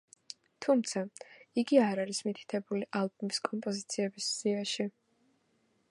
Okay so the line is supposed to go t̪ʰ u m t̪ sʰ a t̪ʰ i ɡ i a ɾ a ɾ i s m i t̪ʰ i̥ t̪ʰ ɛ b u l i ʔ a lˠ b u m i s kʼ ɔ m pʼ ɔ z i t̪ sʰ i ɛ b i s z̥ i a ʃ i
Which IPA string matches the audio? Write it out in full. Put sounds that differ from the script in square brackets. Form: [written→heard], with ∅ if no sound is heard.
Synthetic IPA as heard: t̪ʰ u m t̪ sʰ a [t̪ʰ→∅] i ɡ i a ɾ a ɾ i s m i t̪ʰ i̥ t̪ʰ ɛ b u l i ʔ a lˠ b u m i s kʼ ɔ m pʼ ɔ z i t̪ sʰ i ɛ b i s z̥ i a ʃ i